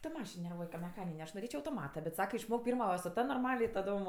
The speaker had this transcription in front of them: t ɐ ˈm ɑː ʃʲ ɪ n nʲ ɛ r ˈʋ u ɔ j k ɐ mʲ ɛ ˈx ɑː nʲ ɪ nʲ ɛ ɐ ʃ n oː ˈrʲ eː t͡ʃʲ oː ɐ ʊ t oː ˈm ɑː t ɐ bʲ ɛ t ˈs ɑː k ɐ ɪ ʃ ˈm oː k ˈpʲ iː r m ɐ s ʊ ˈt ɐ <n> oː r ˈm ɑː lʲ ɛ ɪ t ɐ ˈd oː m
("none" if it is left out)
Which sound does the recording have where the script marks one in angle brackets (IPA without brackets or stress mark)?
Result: n